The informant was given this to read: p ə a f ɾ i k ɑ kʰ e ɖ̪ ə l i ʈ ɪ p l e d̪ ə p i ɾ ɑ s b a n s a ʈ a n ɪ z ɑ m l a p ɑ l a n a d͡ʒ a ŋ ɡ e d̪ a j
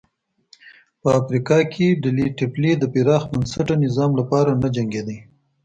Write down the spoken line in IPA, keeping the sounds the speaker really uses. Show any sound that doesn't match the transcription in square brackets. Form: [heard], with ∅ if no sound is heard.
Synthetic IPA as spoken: p ə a f ɾ i k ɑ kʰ e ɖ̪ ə l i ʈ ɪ p l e d̪ ə p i ɾ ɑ [x] b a n s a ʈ a n ɪ z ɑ m l a p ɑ [ɾ] a n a d͡ʒ a ŋ ɡ e d̪ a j

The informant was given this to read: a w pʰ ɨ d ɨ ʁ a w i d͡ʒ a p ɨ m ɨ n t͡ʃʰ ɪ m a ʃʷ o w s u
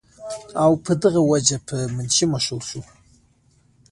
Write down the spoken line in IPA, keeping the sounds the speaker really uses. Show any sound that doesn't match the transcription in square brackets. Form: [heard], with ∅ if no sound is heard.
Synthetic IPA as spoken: a w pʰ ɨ d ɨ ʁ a w [a] d͡ʒ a [pʰ] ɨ m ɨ n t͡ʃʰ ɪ m a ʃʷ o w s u

